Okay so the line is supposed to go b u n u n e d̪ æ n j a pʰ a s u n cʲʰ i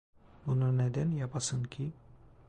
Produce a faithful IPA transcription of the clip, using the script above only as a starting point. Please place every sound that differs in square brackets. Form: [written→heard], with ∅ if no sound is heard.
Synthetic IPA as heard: b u n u n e d̪ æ n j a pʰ a s [u→ɯ] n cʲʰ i